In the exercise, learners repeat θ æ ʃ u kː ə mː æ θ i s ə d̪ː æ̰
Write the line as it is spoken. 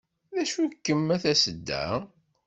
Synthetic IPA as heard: ð æ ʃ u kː ə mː æ θ æ s ə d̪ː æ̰